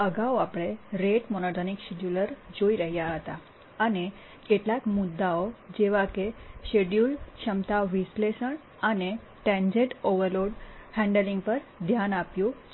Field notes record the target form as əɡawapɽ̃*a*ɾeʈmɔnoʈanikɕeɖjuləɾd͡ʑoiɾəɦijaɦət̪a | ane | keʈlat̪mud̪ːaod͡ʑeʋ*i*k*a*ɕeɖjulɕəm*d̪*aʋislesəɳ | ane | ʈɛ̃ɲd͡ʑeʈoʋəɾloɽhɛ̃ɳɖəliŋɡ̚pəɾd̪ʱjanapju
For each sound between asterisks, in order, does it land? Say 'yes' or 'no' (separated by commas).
no, no, no, no